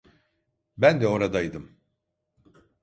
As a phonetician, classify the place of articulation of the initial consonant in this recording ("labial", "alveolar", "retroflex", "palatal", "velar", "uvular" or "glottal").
labial